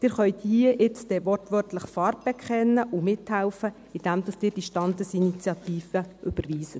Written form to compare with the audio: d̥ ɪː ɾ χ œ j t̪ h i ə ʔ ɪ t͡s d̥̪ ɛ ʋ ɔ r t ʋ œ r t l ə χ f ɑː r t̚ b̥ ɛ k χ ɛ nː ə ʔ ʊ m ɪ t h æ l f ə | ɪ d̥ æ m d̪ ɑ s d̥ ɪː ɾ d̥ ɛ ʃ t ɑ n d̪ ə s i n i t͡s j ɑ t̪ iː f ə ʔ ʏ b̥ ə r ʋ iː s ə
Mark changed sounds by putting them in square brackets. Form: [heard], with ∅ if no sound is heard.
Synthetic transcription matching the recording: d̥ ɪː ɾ χ œ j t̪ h i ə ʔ ɪ t͡s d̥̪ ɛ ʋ ɔ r t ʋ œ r t l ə χ f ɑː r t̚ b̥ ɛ k χ ɛ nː ə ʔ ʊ m ɪ t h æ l f ə | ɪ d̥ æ m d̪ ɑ s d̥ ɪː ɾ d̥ [i] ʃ t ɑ n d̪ ə s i n i t͡s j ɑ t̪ iː f ə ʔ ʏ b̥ ə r ʋ iː s ə